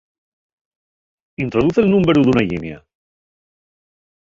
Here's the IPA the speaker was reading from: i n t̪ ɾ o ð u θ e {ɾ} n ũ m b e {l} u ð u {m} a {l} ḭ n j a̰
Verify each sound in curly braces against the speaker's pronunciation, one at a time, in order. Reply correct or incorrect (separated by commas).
incorrect, incorrect, incorrect, incorrect